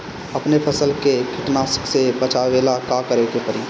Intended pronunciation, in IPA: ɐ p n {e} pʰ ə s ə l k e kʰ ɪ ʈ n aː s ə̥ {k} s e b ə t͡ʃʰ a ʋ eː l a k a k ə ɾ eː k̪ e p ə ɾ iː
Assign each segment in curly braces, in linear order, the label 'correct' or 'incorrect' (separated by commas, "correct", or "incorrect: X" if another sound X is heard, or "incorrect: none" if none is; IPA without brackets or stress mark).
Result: correct, correct